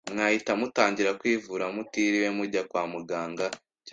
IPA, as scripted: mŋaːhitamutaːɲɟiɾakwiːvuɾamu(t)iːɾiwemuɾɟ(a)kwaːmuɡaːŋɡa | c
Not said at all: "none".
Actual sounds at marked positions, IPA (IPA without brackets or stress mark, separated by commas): t, a